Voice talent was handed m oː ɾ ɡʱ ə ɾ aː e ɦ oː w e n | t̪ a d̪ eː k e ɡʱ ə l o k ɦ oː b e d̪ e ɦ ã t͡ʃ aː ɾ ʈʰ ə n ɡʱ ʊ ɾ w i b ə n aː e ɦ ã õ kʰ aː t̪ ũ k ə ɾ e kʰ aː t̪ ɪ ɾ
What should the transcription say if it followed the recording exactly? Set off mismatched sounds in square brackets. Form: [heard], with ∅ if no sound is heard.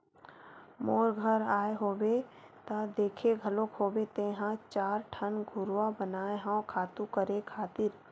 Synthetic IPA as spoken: m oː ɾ ɡʱ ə ɾ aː e ɦ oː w e [∅] | t̪ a d̪ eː [kʰ] e ɡʱ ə l o k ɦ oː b e [t̪] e ɦ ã t͡ʃ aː ɾ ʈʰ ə n ɡʱ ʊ ɾ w [a] b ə n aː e ɦ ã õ kʰ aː t̪ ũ k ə ɾ e kʰ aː t̪ ɪ ɾ